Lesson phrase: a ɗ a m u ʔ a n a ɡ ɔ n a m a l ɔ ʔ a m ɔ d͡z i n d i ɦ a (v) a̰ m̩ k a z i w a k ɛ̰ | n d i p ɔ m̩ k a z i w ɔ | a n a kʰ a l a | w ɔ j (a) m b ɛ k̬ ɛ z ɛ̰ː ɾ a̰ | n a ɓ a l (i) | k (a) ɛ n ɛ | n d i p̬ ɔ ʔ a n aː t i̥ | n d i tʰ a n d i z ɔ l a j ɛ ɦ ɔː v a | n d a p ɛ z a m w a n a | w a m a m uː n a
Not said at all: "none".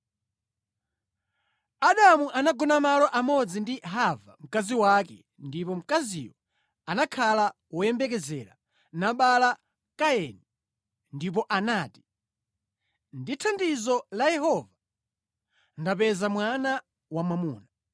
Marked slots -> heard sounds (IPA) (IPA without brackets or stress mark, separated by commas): v, ɛ, a, a